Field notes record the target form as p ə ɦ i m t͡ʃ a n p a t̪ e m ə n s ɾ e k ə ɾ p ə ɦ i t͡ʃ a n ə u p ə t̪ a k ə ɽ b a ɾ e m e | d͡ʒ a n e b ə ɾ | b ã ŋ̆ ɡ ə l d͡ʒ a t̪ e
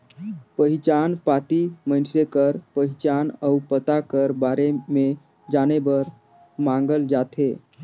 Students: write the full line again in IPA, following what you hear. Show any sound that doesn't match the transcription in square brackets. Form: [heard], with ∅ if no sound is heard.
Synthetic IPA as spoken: p ə ɦ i [∅] t͡ʃ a n p a t̪ [i] m ə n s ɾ e k ə ɾ p ə ɦ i t͡ʃ a n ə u p ə t̪ a k ə [ɾ] b a ɾ e m e | d͡ʒ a n e b ə ɾ | [m] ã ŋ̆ ɡ ə l d͡ʒ a t̪ e